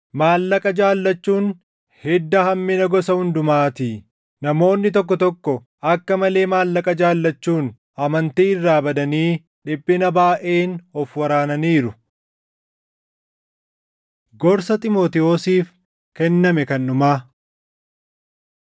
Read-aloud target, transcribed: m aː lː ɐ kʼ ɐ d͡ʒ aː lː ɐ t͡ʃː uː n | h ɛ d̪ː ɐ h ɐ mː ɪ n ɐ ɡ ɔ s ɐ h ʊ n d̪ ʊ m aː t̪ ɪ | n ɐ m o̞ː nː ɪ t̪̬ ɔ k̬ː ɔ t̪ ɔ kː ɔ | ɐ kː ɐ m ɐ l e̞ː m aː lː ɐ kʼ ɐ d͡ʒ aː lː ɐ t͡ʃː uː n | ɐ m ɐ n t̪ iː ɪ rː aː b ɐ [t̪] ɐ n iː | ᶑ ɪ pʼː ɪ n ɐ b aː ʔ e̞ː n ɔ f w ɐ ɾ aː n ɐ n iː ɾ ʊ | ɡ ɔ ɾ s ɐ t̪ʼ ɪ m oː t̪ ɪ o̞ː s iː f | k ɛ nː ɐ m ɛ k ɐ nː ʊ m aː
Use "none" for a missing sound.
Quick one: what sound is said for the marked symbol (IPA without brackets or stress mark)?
d̪